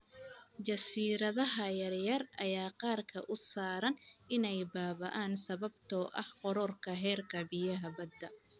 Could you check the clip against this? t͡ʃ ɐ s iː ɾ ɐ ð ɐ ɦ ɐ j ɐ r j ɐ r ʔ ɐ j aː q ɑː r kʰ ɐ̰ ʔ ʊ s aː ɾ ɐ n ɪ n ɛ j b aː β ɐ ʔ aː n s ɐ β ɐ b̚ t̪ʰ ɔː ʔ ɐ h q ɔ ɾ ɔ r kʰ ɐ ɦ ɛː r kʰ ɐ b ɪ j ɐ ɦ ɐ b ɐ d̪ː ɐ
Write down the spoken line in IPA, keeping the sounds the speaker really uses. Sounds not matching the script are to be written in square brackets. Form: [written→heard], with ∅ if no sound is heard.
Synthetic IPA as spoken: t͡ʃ ɐ s iː ɾ ɐ ð ɐ ɦ ɐ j ɐ r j ɐ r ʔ ɐ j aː q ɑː r kʰ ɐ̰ ʔ ʊ s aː ɾ ɐ n ɪ n ɛ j b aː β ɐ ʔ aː n s ɐ β ɐ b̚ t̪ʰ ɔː ʔ ɐ h q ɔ ɾ ɔ r kʰ ɐ ɦ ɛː r kʰ ɐ b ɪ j ɐ ɦ ɐ b ɐ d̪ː ɐ